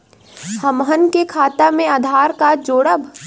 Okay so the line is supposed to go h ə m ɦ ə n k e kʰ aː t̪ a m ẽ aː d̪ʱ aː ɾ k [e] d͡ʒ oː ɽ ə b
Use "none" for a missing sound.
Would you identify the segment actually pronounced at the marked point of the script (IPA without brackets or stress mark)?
a